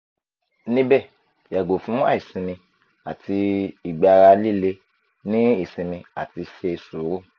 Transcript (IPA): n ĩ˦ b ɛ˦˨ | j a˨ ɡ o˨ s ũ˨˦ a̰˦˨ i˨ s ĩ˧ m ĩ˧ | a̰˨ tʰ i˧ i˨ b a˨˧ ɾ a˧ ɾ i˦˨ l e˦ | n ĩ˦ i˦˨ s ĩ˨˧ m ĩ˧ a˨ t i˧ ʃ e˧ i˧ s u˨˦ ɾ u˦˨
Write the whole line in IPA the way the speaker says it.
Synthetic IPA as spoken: n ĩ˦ b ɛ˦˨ | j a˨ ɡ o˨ f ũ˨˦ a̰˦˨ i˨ s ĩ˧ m ĩ˧ | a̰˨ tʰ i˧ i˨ ɡ͡b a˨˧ ɾ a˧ l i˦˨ l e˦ | n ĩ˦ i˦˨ s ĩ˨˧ m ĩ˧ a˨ t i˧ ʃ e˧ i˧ s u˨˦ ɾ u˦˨